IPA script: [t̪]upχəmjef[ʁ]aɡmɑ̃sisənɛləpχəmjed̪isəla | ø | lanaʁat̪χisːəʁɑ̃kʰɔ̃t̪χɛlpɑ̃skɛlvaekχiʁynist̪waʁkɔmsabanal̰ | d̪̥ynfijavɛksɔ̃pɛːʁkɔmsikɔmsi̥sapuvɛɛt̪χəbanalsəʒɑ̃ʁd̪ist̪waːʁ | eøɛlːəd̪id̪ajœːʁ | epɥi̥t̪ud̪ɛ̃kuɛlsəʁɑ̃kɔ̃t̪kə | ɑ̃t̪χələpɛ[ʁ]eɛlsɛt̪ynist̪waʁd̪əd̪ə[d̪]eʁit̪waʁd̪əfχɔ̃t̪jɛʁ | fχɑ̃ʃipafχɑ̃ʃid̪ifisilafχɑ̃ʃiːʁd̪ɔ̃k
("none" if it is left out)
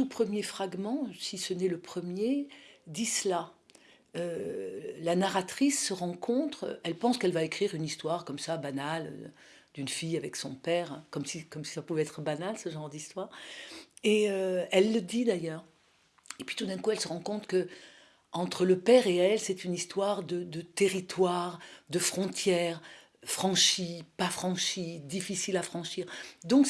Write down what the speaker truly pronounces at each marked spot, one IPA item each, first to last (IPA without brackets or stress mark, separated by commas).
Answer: t̪, χ, ʁ, t̪